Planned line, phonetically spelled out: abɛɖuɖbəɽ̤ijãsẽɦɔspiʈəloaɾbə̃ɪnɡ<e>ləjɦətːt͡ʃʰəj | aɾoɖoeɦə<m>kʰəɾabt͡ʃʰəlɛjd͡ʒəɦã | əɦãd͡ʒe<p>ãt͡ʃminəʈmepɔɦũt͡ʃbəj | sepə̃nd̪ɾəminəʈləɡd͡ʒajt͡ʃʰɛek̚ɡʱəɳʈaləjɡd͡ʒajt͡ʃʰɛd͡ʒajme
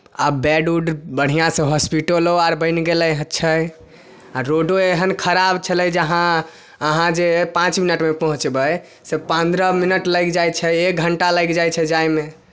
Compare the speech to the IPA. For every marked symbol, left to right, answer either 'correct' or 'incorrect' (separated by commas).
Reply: correct, incorrect, correct